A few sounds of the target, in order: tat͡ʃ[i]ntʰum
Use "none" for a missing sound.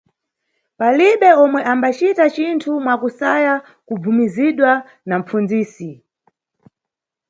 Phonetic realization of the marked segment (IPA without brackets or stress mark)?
i